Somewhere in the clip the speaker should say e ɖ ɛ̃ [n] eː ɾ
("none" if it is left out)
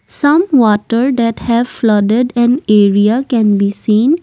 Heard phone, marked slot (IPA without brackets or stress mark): n